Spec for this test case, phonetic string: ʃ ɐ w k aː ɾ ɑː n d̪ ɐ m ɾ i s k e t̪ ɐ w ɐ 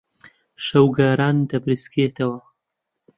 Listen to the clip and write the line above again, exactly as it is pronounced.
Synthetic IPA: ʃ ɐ w ɡ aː ɾ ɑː n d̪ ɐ b ɾ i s k e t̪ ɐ w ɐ